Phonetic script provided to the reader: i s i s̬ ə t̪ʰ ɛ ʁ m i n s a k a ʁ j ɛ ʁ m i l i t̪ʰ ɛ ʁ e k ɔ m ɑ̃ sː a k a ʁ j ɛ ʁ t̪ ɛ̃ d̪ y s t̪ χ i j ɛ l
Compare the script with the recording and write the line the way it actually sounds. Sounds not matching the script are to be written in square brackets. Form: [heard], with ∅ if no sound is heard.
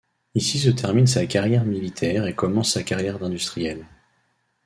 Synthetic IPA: i s i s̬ ə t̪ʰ ɛ ʁ m i n s a k a ʁ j ɛ ʁ m i l i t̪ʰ ɛ ʁ e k ɔ m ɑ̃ sː a k a ʁ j ɛ ʁ [d̪] ɛ̃ d̪ y s t̪ χ i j ɛ l

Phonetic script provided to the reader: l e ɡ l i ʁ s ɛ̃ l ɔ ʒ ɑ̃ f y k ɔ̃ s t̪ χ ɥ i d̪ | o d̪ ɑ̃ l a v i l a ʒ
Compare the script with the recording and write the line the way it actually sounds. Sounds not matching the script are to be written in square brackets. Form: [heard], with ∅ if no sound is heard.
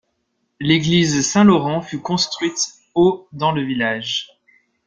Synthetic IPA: l e ɡ l i [z] s ɛ̃ l ɔ [ʁ] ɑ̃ f y k ɔ̃ s t̪ χ ɥ i [t̪] | o d̪ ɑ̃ l [ə] v i l a ʒ

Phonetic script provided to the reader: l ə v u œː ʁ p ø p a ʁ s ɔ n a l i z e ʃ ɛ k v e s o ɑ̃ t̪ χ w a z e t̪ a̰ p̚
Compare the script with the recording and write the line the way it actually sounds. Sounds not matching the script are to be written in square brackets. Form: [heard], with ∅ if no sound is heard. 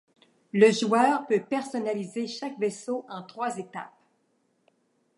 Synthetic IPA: l ə [ʒ] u œː ʁ p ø p [ɛ] ʁ s ɔ n a l i z e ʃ [a] k v e s o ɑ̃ t̪ χ w a z e t̪ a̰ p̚

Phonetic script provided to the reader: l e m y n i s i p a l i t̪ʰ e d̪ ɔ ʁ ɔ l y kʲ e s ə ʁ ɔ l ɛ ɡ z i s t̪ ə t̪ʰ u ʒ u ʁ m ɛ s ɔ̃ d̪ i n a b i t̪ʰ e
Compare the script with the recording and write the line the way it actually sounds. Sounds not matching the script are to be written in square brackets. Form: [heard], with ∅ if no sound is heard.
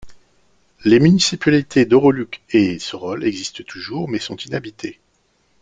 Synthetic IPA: l e m y n i s i p a l i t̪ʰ e d̪ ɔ ʁ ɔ l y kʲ e s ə ʁ ɔ l ɛ ɡ z i s t̪ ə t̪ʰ u ʒ u ʁ m ɛ s ɔ̃ [t̪] i n a b i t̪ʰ e

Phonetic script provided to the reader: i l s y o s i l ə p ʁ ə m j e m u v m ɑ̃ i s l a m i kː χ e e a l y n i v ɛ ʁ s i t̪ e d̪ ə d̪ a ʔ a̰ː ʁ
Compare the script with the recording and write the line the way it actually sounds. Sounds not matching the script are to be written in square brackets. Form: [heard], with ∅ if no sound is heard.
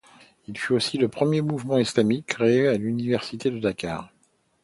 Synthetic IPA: i l [f] y o s i l ə p [χ] ə m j e m u v m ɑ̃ i s l a m i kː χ e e a l y n i v ɛ ʁ s i t̪ e d̪ ə d̪ a [k] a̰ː ʁ

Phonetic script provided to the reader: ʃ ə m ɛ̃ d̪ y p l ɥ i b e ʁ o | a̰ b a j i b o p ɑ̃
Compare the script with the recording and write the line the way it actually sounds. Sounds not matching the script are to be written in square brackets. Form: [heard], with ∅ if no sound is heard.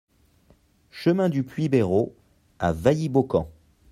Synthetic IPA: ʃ ə m ɛ̃ d̪ y p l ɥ i b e ʁ o | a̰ [v] a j i b o [k] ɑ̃

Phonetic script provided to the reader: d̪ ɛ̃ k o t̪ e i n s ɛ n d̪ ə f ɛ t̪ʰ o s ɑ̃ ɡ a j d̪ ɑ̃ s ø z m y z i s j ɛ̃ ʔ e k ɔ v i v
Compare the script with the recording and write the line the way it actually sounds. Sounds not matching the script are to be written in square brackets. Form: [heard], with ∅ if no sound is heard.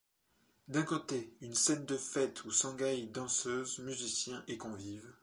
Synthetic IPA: d̪ ɛ̃ k o t̪ e [y] n s ɛ n d̪ ə f ɛ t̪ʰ [u] s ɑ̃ ɡ a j d̪ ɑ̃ s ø z m y z i s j ɛ̃ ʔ e k [ɔ̃] v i v

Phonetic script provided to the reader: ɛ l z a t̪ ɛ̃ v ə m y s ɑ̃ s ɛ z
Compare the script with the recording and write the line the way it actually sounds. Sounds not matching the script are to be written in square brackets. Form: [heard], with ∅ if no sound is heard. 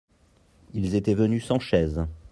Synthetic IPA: [i] l z [e] t̪ [ɛ] v ə [n] y s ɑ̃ [ʃ] ɛ z

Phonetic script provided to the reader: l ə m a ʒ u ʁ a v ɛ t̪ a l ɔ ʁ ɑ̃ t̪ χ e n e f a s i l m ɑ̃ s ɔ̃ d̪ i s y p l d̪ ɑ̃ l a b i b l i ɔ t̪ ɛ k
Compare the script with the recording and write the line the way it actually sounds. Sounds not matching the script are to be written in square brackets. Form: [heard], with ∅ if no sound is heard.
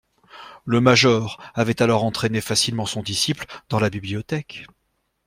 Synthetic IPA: l ə m a ʒ [ɔ] ʁ a v ɛ t̪ a l ɔ ʁ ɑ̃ t̪ χ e n e f a s i l m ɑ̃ s ɔ̃ d̪ i s [i] p l d̪ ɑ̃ l a b i b l i ɔ t̪ ɛ k

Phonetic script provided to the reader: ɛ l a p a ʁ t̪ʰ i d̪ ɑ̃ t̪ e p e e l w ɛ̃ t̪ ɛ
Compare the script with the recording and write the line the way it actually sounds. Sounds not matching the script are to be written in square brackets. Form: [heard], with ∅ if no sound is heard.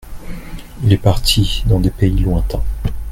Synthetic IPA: [i] l [ɛ] p a ʁ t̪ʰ i d̪ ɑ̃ [d̪] e p e [i] l w ɛ̃ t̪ [ɛ̃]

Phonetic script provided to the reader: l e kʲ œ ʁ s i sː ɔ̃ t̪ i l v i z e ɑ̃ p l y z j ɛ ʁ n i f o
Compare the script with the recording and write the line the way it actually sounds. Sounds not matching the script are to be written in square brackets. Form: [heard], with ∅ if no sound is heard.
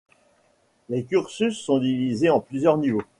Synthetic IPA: l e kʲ [y] ʁ s [y] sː ɔ̃ [d̪] i [∅] v i z e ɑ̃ p l y z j [œ] ʁ n i [v] o

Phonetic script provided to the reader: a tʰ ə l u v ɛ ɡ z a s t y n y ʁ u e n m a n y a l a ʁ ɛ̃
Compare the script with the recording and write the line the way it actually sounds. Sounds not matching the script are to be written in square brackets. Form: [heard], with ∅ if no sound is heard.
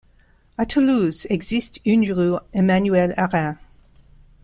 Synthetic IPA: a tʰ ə l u [z] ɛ ɡ z [i] s t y n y ʁ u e [∅] m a n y [ɛ] l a ʁ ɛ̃

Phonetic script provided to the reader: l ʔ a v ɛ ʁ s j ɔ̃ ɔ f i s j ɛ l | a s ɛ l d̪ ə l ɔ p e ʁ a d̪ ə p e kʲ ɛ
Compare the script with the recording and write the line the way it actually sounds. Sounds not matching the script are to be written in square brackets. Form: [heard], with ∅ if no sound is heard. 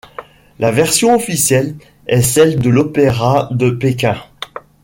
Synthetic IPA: l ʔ a v ɛ ʁ s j ɔ̃ ɔ f i s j ɛ l | [ɛ] s ɛ l d̪ ə l ɔ p e ʁ a d̪ ə p e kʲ [ɛ̃]

